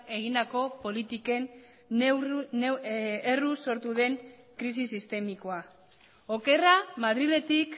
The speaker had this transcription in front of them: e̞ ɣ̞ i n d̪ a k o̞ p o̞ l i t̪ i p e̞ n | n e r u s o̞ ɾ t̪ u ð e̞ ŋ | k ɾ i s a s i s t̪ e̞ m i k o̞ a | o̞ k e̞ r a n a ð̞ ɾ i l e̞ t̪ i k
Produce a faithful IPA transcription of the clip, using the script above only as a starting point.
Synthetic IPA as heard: e̞ ɣ̞ i n d̪ a k o̞ p o̞ l i t̪ i k e̞ n | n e r u s o̞ ɾ t̪ u ð e̞ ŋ | k ɾ i s i s i s t̪ e̞ m i k o̞ a | o̞ k e̞ r a m a ð̞ ɾ i l e̞ t̪ i k